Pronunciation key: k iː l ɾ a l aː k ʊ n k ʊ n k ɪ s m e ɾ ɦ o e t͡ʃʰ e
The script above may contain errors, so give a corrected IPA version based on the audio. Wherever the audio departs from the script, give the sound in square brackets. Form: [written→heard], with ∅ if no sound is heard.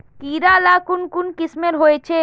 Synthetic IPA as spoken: k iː [l→∅] ɾ a l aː k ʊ n k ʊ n k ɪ s m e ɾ ɦ o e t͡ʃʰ e